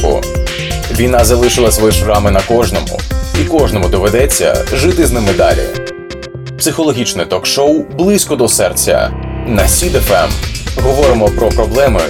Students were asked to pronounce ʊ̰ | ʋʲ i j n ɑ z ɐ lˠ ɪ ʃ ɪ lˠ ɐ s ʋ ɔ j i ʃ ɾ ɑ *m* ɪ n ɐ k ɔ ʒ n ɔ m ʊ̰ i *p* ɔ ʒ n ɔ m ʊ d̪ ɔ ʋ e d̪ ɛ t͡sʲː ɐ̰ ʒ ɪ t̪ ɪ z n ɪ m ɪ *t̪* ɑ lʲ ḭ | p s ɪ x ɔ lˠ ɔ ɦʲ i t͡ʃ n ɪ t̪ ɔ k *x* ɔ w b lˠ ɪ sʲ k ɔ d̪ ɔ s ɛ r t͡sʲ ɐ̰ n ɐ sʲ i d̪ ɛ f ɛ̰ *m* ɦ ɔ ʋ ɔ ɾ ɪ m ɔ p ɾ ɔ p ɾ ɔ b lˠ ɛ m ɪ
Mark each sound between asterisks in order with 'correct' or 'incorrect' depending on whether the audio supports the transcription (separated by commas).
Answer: correct, incorrect, incorrect, incorrect, correct